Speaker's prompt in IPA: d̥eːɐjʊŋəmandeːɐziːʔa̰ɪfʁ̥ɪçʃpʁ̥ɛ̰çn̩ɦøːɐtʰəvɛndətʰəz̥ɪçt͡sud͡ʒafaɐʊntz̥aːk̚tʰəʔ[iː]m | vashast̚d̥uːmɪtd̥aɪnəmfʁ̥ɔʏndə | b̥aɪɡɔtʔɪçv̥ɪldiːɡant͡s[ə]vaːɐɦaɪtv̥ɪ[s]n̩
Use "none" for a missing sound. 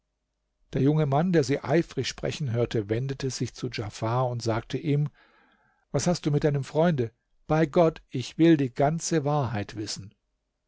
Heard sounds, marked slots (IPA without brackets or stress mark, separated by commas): iː, ə, s